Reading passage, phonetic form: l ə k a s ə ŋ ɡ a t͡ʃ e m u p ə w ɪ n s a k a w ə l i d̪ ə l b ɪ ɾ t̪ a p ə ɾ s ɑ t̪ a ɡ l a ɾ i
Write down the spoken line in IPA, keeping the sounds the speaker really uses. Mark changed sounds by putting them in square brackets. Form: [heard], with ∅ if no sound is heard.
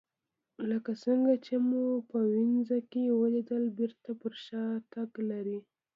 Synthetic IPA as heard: l ə k a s ə ŋ ɡ a t͡ʃ e m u p ə w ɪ n [z] a k [e] w ə l i d̪ ə l b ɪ ɾ t̪ a p ə ɾ [ʃ] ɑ t̪ a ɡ l a ɾ i